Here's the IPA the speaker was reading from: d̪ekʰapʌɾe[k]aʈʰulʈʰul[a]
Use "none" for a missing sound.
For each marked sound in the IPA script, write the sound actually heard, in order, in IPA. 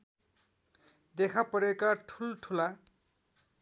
k, a

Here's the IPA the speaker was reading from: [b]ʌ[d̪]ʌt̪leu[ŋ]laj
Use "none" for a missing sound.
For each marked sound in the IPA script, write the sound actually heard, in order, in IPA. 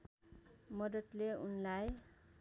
m, d̪, n

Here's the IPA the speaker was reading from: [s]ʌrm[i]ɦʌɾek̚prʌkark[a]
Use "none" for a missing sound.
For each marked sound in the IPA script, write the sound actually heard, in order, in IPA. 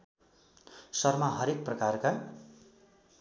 s, a, a

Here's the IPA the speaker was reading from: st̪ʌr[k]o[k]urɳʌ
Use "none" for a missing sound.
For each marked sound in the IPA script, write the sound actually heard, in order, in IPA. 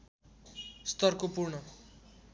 k, p

